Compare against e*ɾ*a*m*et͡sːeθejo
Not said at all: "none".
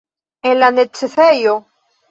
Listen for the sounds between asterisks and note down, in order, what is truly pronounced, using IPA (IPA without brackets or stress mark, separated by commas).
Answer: l, n